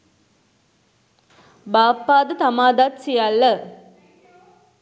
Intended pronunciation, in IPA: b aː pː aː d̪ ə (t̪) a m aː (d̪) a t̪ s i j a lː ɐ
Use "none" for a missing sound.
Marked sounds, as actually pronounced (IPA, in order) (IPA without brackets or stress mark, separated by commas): t̪, d̪